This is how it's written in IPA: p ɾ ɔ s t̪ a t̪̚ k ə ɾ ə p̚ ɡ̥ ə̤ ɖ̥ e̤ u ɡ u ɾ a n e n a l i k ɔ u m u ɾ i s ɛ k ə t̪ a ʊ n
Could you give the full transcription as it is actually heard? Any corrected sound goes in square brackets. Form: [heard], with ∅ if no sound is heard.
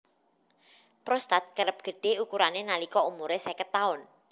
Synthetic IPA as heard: p ɾ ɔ s t̪ a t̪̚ k ə ɾ ə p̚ ɡ̥ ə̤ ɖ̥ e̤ u [k] u ɾ a n e n a l i k ɔ u m u ɾ [e] s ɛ k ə t̪ a ʊ n

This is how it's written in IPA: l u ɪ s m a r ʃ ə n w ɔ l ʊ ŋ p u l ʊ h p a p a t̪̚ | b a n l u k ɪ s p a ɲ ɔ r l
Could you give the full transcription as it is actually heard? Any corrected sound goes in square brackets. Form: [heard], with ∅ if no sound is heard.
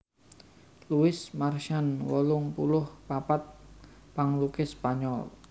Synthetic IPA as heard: l u ɪ s m a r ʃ [a] n w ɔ l ʊ ŋ p u l ʊ h p a p a t̪̚ | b a [ŋ] l u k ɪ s p a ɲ ɔ [∅] l

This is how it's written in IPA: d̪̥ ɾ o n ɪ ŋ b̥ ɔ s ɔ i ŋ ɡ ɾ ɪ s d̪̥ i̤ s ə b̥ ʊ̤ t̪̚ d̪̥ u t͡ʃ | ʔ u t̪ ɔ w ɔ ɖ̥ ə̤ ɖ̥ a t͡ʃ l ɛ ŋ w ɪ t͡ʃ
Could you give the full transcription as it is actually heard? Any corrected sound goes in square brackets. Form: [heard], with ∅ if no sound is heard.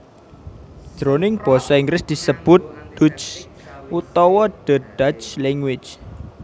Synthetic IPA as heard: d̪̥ ɾ o n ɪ ŋ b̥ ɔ s ɔ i ŋ ɡ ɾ ɪ s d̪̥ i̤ s ə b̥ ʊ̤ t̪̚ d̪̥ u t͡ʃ | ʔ u t̪ ɔ w ɔ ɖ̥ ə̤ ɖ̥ a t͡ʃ l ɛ ŋ w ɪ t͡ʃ

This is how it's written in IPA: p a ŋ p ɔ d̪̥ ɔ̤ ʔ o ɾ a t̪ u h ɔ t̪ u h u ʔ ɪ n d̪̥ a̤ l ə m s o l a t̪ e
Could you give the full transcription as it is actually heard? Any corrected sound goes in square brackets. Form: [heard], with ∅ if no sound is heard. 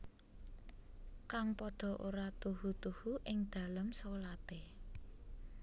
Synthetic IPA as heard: [k] a ŋ p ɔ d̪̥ ɔ̤ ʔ o ɾ a t̪ u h [u] t̪ u h u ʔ ɪ [ŋ] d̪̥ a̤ l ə m s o l a t̪ e

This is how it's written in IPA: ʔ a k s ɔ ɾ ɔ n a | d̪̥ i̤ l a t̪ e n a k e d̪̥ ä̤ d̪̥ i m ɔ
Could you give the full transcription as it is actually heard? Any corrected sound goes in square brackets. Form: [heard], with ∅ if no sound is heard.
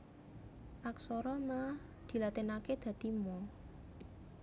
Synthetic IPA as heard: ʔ a k s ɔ ɾ ɔ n a | d̪̥ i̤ l a t̪ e n a k e d̪̥ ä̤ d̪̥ i m ɔ

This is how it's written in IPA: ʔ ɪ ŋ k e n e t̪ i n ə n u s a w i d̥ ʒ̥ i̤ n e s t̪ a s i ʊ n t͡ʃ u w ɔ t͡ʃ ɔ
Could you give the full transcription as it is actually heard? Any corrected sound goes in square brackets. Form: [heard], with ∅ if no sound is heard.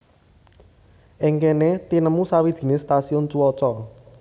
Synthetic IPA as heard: ʔ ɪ ŋ k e n e t̪ i n ə [m] u s a w i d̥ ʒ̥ i̤ n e s t̪ a s i ʊ n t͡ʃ u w ɔ t͡ʃ ɔ

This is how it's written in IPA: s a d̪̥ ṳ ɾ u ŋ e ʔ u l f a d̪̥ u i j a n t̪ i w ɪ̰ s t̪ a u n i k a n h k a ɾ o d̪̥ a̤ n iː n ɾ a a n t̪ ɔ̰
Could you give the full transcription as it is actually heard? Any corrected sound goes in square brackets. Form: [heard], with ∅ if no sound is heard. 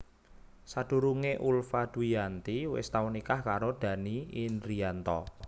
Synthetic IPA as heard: s a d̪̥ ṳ ɾ u ŋ e ʔ u l f a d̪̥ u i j a n t̪ i w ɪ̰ s t̪ a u n i k a [∅] h k a ɾ o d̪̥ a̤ n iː n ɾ [i] a n t̪ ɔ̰

